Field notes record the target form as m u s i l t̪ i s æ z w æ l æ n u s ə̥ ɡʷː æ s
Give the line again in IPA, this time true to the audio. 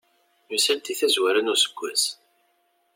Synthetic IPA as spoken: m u s æ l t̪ i θ æ z w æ ɾ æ n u s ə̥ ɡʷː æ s